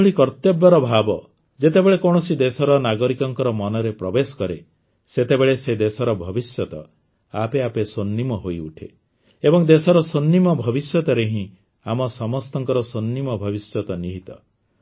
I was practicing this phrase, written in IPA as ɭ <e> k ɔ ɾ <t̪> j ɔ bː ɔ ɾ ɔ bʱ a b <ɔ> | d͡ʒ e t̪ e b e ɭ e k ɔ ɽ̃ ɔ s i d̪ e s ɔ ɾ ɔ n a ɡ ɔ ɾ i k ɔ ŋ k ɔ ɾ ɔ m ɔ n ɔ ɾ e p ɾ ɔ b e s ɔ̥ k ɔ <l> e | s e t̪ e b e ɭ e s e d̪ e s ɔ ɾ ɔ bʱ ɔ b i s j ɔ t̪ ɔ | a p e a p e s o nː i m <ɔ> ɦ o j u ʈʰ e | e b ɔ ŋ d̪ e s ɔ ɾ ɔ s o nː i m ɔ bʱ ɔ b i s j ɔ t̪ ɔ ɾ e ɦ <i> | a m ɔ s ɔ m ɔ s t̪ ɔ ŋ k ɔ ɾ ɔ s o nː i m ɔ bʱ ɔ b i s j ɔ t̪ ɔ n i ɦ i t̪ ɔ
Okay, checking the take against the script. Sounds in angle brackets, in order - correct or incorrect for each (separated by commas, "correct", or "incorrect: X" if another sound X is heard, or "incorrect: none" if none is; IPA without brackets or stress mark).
incorrect: i, correct, correct, incorrect: ɾ, correct, incorrect: ĩ